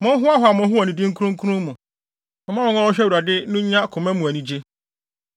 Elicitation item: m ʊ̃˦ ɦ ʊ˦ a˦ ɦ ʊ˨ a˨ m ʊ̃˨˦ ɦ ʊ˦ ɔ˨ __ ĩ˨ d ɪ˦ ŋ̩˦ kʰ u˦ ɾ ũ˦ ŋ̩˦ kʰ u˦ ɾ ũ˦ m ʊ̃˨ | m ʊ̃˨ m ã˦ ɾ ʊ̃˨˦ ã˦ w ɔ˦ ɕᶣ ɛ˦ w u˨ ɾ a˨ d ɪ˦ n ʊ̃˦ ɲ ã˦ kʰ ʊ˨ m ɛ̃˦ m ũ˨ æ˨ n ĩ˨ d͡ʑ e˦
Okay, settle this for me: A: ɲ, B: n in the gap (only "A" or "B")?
B